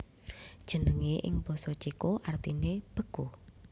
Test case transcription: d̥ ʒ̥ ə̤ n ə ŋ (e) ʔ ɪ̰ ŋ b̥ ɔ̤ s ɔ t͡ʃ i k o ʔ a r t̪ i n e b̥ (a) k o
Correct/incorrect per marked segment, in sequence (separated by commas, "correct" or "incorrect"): correct, incorrect